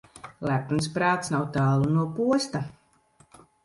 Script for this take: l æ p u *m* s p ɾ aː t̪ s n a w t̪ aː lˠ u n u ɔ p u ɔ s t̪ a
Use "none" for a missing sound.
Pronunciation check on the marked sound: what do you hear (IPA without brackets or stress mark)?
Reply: n